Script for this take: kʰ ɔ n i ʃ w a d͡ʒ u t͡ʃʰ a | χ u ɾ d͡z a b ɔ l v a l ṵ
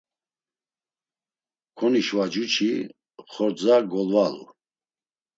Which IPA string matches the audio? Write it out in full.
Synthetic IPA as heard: kʰ ɔ n i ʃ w a d͡ʒ u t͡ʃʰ i | χ ɔ ɾ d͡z a ɡ ɔ l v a l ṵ